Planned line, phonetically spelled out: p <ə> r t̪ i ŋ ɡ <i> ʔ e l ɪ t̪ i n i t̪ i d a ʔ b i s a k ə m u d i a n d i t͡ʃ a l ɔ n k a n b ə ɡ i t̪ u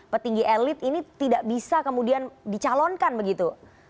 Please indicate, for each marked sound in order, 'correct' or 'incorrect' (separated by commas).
correct, correct